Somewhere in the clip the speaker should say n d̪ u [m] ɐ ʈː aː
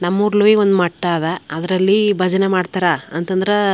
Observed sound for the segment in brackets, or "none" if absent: m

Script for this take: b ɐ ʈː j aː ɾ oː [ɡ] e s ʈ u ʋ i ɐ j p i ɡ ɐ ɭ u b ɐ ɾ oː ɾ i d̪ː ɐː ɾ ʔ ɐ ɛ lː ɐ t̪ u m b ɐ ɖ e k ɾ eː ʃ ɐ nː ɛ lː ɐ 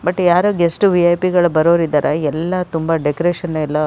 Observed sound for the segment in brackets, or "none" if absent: ɡ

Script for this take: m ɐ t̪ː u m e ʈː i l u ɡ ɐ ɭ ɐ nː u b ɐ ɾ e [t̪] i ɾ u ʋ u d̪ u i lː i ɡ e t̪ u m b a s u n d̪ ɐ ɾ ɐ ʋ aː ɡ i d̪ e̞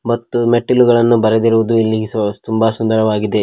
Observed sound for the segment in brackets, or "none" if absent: d̪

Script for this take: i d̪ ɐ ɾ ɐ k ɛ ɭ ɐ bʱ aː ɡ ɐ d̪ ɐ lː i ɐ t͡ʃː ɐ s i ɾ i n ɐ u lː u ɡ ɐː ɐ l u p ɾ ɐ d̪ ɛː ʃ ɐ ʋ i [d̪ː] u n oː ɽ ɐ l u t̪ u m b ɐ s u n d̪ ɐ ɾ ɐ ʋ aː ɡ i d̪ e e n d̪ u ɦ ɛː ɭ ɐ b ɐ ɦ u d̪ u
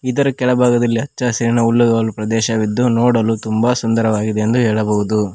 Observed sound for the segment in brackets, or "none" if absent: d̪ː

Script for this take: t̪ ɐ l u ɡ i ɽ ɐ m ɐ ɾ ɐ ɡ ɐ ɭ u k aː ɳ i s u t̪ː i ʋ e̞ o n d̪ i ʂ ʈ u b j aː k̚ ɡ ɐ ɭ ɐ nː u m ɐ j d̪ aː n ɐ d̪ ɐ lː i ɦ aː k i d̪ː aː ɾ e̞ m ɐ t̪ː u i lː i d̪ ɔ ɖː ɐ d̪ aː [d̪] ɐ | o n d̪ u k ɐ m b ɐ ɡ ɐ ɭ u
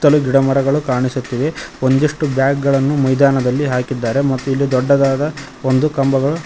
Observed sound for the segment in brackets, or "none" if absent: d̪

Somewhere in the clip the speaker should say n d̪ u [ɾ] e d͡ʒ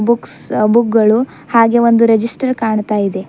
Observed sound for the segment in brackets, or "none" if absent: ɾ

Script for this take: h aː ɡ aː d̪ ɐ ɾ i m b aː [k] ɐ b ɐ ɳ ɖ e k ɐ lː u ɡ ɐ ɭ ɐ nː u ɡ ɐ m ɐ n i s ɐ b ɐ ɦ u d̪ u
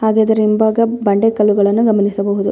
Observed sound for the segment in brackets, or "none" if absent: ɡ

